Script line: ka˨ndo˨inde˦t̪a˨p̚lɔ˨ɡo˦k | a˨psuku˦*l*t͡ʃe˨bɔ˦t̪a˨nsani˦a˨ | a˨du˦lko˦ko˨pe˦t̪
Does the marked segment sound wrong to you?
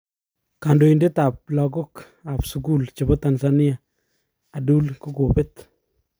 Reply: no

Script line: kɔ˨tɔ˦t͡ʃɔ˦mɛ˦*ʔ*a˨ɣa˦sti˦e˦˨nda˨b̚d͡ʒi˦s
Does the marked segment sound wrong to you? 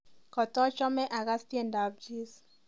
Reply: no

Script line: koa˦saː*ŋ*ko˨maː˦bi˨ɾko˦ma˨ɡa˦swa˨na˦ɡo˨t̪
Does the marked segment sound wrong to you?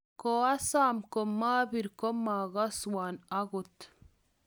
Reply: yes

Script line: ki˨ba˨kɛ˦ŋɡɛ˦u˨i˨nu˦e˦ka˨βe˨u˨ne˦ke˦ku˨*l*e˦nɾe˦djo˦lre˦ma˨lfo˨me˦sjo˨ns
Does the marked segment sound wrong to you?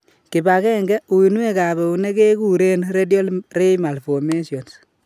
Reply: yes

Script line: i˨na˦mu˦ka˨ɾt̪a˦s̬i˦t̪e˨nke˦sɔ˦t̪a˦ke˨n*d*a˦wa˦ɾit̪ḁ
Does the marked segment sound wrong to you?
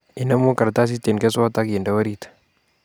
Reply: no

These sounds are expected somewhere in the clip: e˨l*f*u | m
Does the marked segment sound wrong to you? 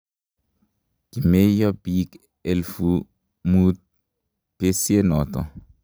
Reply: no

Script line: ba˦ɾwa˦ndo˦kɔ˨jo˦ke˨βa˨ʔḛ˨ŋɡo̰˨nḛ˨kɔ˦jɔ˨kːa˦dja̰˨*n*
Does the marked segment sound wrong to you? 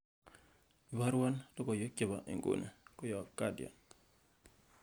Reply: no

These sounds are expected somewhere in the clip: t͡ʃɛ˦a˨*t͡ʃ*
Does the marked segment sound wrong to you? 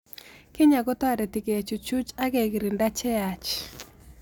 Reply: no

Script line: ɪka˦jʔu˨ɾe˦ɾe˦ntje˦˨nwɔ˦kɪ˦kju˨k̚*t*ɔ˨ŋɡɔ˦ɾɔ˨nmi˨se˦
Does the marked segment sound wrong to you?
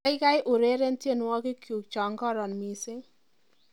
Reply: yes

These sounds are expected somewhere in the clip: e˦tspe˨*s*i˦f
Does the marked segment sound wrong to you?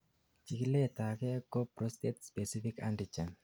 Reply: no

